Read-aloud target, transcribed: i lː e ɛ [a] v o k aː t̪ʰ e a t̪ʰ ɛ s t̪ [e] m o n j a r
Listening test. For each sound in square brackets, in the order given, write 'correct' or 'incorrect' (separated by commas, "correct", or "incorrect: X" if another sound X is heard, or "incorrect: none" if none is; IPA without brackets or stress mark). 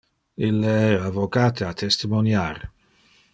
correct, incorrect: i